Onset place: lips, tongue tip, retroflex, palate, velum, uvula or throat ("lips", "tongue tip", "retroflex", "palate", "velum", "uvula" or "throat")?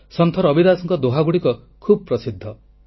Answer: tongue tip